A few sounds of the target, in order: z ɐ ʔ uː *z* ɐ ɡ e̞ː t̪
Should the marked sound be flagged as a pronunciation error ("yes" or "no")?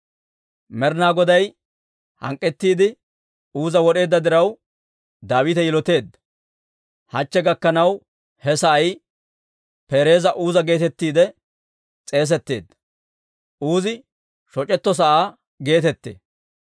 no